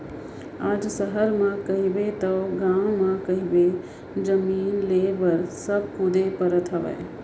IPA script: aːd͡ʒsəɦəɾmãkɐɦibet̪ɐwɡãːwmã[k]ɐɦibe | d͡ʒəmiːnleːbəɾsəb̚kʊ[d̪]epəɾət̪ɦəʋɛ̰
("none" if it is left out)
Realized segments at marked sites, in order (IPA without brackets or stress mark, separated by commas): k, d̪